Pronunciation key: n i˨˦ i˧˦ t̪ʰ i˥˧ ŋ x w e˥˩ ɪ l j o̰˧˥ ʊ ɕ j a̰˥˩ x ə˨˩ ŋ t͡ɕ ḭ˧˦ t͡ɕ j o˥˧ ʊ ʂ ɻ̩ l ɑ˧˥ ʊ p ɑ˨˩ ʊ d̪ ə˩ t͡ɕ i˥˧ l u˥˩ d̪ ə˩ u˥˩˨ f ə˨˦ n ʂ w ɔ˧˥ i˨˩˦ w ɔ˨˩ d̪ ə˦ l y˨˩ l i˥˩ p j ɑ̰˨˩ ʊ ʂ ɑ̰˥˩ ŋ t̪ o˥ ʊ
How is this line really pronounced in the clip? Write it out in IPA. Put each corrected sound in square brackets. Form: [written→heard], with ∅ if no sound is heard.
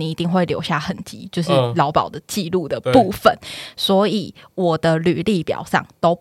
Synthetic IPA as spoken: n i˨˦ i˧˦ [t̪ʰ→t̪] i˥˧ ŋ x w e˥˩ ɪ l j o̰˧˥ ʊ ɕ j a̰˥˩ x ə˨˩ [ŋ→n] t͡ɕ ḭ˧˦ t͡ɕ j o˥˧ ʊ ʂ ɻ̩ l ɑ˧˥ ʊ p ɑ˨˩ ʊ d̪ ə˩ t͡ɕ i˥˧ l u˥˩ d̪ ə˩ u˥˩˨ f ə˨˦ n [ʂ→s] w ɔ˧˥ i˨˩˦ w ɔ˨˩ d̪ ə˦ l y˨˩ l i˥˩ p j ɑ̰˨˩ ʊ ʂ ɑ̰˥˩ ŋ t̪ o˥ ʊ